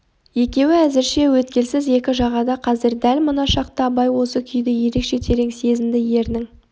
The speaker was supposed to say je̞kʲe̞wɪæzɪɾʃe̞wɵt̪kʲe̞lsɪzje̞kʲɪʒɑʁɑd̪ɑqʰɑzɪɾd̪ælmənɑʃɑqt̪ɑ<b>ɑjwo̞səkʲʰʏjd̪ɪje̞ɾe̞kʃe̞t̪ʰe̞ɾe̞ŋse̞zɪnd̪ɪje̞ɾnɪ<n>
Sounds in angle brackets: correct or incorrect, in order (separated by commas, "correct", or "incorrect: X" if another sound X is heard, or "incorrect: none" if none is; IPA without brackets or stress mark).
correct, incorrect: ŋ